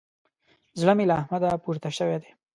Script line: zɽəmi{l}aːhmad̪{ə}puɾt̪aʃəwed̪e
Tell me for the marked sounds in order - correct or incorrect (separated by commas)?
correct, incorrect